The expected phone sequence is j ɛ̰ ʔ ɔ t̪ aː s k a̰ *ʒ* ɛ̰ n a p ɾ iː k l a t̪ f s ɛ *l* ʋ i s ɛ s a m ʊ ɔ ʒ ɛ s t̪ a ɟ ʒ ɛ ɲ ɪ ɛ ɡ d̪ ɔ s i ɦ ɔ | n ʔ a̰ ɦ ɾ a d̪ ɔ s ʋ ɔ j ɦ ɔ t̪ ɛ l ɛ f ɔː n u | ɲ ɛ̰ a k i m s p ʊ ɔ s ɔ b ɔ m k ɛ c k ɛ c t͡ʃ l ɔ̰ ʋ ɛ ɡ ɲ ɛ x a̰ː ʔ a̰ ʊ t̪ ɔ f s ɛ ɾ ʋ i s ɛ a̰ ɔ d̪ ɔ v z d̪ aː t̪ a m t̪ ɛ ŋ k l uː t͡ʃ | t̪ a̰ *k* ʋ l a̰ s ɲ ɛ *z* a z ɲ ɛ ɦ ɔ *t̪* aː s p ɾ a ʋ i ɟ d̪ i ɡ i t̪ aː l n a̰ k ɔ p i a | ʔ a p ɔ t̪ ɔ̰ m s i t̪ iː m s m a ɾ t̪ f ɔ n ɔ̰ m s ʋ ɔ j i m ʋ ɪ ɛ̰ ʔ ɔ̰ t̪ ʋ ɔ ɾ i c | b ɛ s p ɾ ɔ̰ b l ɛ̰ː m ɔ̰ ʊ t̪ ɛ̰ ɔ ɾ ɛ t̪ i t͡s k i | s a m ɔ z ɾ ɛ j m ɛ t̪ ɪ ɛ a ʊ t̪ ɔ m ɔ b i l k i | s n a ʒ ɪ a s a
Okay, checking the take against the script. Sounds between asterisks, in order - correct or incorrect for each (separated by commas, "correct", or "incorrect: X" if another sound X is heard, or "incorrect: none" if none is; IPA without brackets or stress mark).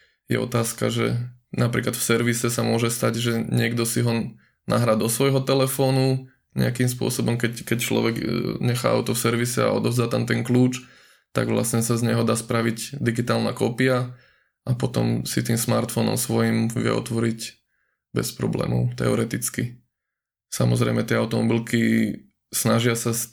correct, incorrect: ɾ, incorrect: ɡ, incorrect: s, incorrect: d̪